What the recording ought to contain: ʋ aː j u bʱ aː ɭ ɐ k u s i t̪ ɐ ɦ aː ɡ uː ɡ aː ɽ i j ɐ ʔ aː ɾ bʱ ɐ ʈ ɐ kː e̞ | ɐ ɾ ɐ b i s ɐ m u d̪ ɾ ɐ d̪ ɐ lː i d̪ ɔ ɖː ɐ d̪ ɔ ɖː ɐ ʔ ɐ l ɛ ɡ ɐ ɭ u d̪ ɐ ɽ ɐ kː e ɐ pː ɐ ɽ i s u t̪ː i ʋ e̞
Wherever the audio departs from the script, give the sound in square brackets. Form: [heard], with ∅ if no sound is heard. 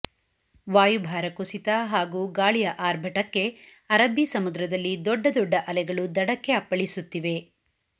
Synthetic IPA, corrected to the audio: ʋ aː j u bʱ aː [ɾ] ɐ k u s i t̪ ɐ ɦ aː ɡ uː ɡ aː [ɭ] i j ɐ ʔ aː ɾ bʱ ɐ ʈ ɐ kː e̞ | ɐ ɾ ɐ b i s ɐ m u d̪ ɾ ɐ d̪ ɐ lː i d̪ ɔ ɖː ɐ d̪ ɔ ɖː ɐ ʔ ɐ l ɛ ɡ ɐ ɭ u d̪ ɐ ɽ ɐ kː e ɐ pː ɐ [ɭ] i s u t̪ː i ʋ e̞